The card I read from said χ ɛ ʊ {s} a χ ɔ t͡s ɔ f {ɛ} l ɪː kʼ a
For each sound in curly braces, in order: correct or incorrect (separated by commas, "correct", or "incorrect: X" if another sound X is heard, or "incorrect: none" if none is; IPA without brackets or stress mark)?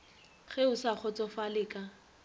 correct, incorrect: a